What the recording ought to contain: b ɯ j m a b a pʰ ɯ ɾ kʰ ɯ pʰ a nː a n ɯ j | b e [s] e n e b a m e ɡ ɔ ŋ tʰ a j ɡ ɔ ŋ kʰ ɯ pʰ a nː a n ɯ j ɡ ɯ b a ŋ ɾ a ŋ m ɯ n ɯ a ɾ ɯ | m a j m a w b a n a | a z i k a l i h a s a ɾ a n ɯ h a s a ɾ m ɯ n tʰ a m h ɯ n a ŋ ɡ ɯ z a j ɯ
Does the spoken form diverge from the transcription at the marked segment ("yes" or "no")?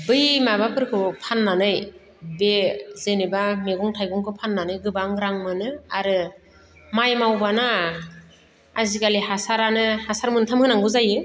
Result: yes